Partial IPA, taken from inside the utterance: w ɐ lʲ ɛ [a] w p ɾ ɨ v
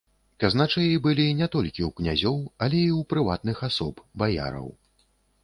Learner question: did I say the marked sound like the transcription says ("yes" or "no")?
no